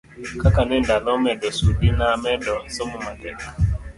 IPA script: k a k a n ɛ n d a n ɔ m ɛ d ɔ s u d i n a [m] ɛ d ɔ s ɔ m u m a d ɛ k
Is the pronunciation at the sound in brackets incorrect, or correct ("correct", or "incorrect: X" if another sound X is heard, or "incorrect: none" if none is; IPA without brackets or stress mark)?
correct